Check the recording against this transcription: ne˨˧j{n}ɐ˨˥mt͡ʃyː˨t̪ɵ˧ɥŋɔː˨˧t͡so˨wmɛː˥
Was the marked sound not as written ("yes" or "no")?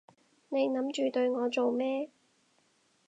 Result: no